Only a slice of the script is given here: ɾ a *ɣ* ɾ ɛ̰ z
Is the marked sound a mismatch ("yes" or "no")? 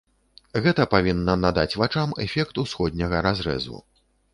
yes